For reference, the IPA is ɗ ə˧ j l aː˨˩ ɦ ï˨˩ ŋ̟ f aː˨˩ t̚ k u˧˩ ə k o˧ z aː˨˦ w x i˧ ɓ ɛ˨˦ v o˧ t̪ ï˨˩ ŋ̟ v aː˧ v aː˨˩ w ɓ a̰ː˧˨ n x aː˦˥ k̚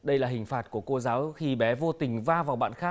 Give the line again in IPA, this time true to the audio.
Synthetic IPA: ɗ ə˧ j l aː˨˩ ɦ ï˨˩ ŋ̟ f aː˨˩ t̚ k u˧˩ ə k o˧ z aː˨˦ w x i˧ ɓ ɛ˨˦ v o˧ t̪ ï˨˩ ŋ̟ v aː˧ v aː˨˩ w ɓ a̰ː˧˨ n x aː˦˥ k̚